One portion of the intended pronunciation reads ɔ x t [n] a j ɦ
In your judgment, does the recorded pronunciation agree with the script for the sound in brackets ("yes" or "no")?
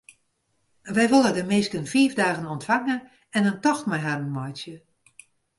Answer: no